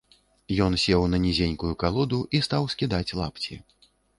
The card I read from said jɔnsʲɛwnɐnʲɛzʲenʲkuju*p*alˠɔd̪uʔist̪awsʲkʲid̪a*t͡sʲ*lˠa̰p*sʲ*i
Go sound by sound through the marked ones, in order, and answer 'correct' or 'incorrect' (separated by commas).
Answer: incorrect, correct, incorrect